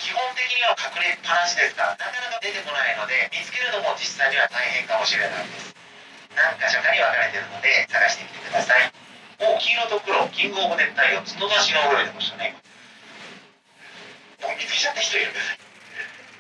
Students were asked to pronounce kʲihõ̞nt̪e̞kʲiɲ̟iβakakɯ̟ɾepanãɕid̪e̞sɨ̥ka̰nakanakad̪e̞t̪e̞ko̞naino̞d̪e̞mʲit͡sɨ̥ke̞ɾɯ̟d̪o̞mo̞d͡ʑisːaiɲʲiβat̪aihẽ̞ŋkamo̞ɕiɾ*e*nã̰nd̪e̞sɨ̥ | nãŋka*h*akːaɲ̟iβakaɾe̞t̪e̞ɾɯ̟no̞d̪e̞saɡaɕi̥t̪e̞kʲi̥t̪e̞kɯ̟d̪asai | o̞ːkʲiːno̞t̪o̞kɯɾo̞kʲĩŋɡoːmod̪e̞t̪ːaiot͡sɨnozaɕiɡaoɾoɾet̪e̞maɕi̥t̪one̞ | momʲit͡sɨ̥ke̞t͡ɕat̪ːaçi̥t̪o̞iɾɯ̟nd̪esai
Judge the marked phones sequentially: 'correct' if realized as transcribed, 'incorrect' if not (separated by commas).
correct, incorrect